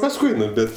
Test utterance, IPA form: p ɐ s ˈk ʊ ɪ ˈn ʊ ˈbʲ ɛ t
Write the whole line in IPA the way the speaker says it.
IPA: p ɐ s ˈk ʊ ɪ ˈn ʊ ˈbʲ ɛ t

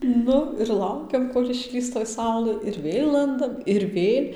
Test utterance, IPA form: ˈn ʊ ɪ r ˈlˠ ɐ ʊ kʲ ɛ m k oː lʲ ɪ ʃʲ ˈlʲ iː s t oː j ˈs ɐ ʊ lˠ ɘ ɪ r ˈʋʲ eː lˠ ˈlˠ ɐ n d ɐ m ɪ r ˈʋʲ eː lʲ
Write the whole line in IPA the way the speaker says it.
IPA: ˈn ʊ ɪ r ˈlˠ ɐ ʊ kʲ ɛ m k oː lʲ ɪ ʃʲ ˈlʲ iː s t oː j ˈs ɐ ʊ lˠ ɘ ɪ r ˈʋʲ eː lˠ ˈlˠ ɐ n d ɐ m ɪ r ˈʋʲ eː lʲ

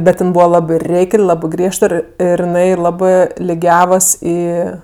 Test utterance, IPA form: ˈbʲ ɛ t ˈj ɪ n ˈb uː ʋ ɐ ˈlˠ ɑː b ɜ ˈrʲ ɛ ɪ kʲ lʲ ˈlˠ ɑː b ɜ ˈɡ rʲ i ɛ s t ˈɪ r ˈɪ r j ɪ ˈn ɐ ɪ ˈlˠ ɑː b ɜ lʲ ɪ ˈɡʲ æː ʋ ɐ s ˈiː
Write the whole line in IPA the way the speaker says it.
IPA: ˈbʲ ɛ t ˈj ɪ n ˈb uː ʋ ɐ ˈlˠ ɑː b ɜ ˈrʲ ɛ ɪ kʲ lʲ ˈlˠ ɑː b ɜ ˈɡ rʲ i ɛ ʃ t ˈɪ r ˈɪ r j ɪ ˈn ɐ ɪ ˈlˠ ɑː b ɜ lʲ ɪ ˈɡʲ æː ʋ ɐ s ˈiː

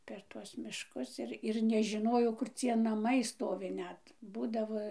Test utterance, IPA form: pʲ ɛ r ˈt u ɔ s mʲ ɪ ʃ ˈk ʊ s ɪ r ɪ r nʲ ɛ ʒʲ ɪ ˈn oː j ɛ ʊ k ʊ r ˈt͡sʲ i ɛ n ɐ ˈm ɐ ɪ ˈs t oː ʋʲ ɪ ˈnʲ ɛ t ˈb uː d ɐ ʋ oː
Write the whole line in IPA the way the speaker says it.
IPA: pʲ ɛ r ˈt u ɔ s mʲ ɪ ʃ ˈk ʊ s ɪ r ɪ r nʲ ɛ ʒʲ ɪ ˈn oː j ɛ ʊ k ʊ r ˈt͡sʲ i ɛ n ɐ ˈm ɐ ɪ ˈs t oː ʋʲ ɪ ˈnʲ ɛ t ˈb uː d ɐ ʋ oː

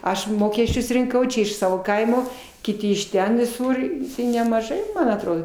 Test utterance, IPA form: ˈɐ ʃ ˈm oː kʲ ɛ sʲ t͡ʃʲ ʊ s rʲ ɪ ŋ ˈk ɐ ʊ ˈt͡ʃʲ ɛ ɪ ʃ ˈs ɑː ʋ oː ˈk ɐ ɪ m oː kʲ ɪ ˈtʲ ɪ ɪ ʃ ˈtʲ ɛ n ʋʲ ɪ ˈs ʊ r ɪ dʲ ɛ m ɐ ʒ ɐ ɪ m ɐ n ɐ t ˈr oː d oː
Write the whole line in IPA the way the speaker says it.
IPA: ˈɐ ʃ ˈm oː kʲ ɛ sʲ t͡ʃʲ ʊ s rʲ ɪ ŋ ˈk ɐ ʊ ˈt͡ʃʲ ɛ ɪ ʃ ˈs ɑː ʋ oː ˈk ɐ ɪ m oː kʲ ɪ ˈtʲ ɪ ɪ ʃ ˈtʲ ɛ n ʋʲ ɪ ˈs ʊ r ɪ nʲ ɛ m ɐ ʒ ɐ ɪ m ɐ n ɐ t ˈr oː d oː

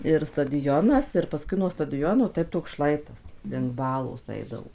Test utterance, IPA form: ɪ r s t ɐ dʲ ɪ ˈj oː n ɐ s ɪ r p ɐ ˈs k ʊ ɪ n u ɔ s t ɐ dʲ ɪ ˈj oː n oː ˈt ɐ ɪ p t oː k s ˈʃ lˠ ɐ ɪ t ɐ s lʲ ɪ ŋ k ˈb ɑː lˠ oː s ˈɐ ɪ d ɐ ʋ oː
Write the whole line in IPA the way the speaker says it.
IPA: ɪ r s t ɐ dʲ ɪ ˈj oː n ɐ s ɪ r p ɐ ˈs k ʊ ɪ n u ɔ s t ɐ dʲ ɪ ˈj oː n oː ˈt ɐ ɪ p t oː k s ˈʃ lˠ ɐ ɪ t ɐ s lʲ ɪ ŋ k ˈb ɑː lˠ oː s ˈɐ ɪ d ɐ ʋ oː

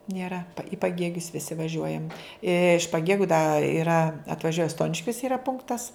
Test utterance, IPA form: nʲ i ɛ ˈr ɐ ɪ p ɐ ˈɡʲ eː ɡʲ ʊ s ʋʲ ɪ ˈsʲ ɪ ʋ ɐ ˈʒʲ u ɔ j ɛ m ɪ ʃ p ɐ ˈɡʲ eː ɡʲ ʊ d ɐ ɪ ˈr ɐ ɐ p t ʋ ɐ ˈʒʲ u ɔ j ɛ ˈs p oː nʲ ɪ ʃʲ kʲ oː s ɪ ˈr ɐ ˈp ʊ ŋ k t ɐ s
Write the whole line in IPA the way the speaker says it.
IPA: nʲ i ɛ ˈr ɐ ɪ p ɐ ˈɡʲ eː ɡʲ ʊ s ʋʲ ɪ ˈsʲ ɪ ʋ ɐ ˈʒʲ u ɔ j ɛ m ɪ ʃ p ɐ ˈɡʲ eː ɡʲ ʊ d ɐ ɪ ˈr ɐ ɐ t ʋ ɐ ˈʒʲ u ɔ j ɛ ˈs t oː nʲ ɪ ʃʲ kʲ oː s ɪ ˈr ɐ ˈp ʊ ŋ k t ɐ s

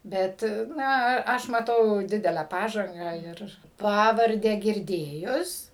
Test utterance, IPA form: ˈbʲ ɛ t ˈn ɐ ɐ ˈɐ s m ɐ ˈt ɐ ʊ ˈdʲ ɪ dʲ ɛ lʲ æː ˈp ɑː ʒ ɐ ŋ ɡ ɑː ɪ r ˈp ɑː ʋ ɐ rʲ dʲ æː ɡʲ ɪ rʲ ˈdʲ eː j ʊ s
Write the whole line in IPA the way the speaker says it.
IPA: ˈbʲ ɛ t ˈn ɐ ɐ ˈɐ ʃ m ɐ ˈt ɐ ʊ ˈdʲ ɪ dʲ ɛ lʲ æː ˈp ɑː ʒ ɐ ŋ ɡ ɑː ɪ r ˈp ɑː ʋ ɐ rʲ dʲ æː ɡʲ ɪ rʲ ˈdʲ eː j ʊ s

